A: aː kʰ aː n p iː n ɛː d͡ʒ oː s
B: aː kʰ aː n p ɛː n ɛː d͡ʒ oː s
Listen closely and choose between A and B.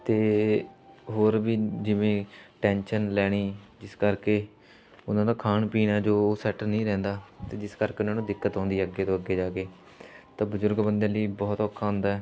A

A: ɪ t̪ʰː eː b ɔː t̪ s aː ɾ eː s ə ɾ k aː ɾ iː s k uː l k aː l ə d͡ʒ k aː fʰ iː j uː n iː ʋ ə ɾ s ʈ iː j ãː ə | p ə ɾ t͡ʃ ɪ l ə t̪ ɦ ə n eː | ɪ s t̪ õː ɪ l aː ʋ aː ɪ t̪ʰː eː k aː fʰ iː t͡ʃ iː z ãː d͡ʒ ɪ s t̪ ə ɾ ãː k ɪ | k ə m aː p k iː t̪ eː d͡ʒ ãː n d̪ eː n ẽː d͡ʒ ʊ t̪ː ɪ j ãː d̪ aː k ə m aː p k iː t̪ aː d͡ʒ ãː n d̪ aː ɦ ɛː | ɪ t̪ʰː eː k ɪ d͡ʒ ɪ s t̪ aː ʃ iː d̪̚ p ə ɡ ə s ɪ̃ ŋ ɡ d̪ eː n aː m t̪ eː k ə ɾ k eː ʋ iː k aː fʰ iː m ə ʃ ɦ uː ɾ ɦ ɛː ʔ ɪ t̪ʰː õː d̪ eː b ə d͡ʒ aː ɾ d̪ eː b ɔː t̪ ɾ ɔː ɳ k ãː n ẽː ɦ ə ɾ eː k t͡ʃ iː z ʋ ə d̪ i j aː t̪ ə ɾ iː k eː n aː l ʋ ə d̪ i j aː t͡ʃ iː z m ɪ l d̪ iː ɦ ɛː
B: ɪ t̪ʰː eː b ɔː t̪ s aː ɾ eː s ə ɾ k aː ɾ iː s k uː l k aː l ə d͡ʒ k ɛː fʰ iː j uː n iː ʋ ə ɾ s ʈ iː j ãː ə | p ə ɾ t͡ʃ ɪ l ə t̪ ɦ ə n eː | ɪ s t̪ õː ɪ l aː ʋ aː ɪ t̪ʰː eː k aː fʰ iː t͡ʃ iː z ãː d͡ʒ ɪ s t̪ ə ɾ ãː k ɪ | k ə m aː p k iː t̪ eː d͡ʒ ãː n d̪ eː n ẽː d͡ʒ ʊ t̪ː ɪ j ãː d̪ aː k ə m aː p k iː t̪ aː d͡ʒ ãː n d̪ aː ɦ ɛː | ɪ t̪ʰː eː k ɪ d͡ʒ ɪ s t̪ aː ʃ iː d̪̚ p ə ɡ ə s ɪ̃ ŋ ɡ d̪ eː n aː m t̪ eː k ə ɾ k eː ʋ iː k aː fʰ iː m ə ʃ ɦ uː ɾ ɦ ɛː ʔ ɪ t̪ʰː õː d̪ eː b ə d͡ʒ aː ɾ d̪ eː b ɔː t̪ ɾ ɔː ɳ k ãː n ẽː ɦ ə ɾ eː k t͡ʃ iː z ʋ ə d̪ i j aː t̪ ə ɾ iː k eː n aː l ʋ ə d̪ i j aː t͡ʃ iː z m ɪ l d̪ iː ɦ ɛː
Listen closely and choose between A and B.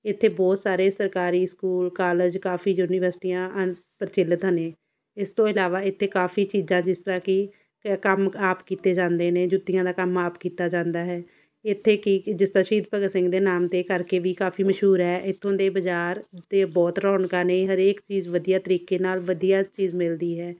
A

